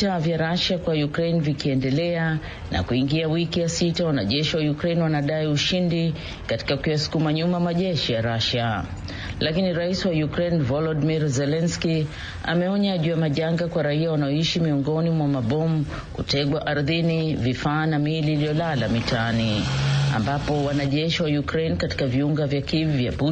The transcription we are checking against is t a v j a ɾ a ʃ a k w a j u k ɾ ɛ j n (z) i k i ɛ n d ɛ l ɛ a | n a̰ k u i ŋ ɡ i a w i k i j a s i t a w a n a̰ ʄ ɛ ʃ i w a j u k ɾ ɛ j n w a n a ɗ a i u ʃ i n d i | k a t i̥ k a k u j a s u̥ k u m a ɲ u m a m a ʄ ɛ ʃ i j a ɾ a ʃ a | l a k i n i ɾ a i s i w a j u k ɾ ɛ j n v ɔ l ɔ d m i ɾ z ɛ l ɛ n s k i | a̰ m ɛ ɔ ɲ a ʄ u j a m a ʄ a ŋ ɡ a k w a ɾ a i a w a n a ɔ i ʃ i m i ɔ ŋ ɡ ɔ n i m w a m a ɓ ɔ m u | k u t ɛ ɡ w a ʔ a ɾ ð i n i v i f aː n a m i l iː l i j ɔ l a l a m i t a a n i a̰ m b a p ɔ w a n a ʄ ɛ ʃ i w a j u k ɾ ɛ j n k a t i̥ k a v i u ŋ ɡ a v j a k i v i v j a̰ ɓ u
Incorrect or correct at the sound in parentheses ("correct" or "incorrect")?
incorrect